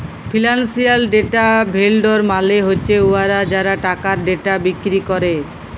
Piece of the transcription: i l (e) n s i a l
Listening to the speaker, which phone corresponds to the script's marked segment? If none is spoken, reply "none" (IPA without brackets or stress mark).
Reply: a